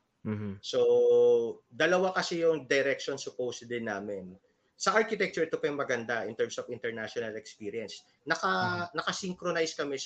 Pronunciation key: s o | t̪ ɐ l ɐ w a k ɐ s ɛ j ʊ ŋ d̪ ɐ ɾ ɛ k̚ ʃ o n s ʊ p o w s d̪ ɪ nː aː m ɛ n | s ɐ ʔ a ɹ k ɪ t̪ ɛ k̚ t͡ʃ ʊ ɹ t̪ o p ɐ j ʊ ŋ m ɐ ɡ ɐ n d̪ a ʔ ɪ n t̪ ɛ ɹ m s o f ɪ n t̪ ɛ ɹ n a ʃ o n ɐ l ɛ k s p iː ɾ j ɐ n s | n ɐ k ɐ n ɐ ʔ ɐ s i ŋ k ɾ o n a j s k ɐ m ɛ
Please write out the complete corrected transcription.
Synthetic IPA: s o | d̪ ɐ l ɐ w a k ɐ s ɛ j ʊ ŋ d̪ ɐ ɾ ɛ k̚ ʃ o n s ʊ p o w s d̪ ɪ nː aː m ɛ n | s ɐ ʔ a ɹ k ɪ t̪ ɛ k̚ t͡ʃ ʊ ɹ t̪ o p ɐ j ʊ ŋ m ɐ ɡ ɐ n d̪ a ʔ ɪ n t̪ ɛ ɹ m s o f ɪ n t̪ ɛ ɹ n a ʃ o n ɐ l ɛ k s p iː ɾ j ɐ n s | n ɐ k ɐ n ɐ k ɐ s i ŋ k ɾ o n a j s k ɐ m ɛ